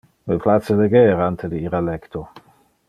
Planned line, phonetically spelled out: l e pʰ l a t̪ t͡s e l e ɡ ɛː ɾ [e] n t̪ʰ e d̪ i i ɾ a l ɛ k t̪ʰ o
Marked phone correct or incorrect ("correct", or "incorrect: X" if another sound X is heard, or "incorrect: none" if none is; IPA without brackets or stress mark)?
incorrect: a